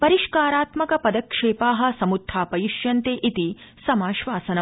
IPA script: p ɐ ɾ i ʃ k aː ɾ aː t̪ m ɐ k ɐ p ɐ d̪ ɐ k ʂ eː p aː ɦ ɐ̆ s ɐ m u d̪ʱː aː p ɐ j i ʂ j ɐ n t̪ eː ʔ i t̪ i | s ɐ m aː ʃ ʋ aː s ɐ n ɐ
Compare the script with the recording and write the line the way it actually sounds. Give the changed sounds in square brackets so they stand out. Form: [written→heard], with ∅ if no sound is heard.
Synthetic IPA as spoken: p ɐ ɾ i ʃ k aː ɾ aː t̪ m ɐ k ɐ p ɐ d̪ ɐ k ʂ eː p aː ɦ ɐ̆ s ɐ m u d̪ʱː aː p ɐ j i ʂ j ɐ n t̪ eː ʔ i t̪ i | s ɐ m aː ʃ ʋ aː s ɐ n ɐ